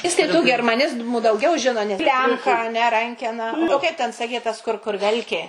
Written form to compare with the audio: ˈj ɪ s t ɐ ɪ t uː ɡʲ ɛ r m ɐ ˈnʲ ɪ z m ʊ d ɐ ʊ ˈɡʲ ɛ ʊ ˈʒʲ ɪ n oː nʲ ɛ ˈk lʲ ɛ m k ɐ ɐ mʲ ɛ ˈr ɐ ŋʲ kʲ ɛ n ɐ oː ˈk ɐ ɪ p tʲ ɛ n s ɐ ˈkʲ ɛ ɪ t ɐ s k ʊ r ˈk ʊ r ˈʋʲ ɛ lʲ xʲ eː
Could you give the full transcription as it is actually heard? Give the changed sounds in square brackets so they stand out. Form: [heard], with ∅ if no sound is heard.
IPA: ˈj ɪ s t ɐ ɪ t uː ɡʲ ɛ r m ɐ ˈnʲ ɪ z m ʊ d ɐ ʊ ˈɡʲ ɛ ʊ ˈʒʲ ɪ n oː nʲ ɛ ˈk lʲ ɛ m k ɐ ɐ [nʲ] ɛ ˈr ɐ ŋʲ kʲ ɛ n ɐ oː ˈk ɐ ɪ p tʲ ɛ n s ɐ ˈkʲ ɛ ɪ t ɐ s k ʊ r ˈk ʊ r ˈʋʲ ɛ lʲ [kʲ] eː